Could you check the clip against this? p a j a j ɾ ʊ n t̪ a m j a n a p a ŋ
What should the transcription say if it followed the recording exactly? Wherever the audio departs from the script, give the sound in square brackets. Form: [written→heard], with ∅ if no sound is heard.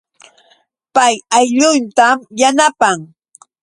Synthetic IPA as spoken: p a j a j [ɾ→ʎ] ʊ n t̪ a m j a n a p a ŋ